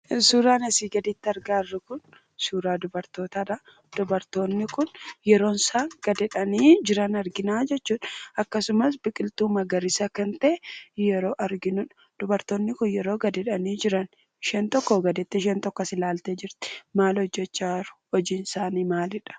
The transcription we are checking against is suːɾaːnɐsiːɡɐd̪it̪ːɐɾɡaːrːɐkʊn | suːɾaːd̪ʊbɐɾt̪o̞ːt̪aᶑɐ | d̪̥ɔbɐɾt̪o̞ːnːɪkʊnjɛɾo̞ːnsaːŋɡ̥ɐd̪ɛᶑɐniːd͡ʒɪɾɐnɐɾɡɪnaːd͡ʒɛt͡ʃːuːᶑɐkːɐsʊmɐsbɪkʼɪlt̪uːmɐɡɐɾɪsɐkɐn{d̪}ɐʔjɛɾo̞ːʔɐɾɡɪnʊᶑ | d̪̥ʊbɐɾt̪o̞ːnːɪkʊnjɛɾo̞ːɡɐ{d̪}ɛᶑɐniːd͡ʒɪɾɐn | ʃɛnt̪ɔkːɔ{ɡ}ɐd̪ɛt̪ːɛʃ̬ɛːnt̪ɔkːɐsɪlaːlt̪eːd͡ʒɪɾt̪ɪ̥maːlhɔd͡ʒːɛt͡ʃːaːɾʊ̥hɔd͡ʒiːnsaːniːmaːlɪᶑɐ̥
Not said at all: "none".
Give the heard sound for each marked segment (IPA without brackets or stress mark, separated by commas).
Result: t̪, d̪, ɡ